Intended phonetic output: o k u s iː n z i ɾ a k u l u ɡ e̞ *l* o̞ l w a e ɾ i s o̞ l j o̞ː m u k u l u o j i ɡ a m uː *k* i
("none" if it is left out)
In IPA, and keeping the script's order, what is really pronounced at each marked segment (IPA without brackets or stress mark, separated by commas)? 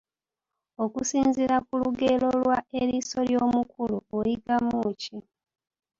l, c